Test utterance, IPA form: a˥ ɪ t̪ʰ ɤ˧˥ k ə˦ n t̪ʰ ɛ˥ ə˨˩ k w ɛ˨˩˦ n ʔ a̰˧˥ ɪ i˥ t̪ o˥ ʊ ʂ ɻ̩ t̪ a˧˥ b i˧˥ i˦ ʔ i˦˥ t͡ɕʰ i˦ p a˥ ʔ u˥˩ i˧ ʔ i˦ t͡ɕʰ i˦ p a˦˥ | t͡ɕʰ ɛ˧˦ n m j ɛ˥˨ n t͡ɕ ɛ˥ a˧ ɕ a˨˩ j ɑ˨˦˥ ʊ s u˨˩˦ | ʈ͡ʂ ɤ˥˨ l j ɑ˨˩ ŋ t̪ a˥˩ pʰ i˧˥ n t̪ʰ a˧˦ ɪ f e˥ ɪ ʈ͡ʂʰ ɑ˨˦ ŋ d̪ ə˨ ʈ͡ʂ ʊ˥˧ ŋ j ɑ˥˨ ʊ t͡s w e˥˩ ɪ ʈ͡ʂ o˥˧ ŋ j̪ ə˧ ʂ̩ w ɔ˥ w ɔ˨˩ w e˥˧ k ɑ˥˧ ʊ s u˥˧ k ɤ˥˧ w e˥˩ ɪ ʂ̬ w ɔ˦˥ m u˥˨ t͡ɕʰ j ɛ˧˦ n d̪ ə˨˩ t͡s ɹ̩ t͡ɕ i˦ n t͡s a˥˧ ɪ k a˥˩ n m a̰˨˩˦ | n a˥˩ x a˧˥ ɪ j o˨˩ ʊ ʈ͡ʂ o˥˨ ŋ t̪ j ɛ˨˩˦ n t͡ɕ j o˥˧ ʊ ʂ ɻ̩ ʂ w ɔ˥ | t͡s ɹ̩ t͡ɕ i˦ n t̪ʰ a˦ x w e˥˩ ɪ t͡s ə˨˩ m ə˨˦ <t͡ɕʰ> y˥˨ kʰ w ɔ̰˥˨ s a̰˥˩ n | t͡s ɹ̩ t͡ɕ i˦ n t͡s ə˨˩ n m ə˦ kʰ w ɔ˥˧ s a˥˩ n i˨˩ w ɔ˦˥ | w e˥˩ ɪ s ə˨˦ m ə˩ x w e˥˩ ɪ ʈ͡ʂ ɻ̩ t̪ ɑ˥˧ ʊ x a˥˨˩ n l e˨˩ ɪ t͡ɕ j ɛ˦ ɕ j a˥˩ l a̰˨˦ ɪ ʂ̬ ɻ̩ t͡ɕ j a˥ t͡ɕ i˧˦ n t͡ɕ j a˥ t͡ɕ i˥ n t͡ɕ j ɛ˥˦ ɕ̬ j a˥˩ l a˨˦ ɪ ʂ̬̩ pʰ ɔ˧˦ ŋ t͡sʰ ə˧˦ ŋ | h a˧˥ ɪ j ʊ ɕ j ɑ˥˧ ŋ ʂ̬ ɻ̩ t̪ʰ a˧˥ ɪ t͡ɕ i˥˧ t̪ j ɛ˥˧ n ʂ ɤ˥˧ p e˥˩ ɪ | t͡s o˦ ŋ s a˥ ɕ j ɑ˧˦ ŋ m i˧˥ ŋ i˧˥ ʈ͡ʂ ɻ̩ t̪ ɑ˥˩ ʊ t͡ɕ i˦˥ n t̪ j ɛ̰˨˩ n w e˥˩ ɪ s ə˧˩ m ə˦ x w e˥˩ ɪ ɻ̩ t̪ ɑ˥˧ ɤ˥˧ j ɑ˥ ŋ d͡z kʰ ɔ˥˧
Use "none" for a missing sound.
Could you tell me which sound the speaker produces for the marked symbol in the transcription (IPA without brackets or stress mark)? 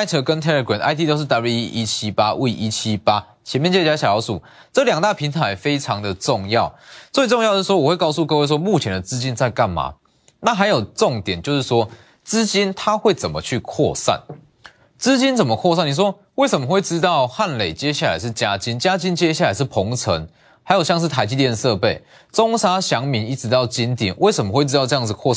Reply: t͡ɕʰ